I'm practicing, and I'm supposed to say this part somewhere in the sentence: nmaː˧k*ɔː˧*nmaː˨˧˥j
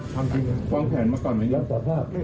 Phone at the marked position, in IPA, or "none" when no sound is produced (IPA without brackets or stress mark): ɔː˨˩